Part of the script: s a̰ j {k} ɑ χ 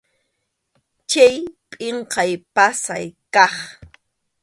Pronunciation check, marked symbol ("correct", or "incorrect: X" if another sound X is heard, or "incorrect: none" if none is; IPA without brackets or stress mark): correct